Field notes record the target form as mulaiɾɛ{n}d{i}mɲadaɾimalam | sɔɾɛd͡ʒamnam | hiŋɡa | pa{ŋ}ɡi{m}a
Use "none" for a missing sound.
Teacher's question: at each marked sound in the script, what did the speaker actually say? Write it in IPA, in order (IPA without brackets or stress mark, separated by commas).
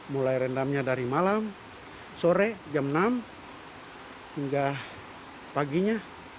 n, a, none, ɲ